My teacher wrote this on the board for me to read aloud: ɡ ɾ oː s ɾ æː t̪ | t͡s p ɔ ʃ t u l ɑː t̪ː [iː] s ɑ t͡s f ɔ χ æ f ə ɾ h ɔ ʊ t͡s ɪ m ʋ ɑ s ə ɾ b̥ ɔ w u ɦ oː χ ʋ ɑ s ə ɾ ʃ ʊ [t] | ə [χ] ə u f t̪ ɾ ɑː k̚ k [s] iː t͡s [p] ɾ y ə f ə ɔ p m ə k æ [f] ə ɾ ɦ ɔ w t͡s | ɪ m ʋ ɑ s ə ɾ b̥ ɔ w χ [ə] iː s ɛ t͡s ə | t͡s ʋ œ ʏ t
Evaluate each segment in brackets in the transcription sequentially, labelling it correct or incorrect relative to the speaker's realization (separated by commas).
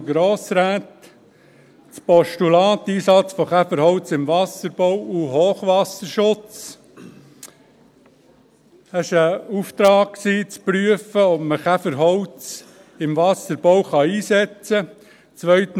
correct, incorrect, incorrect, correct, correct, correct, incorrect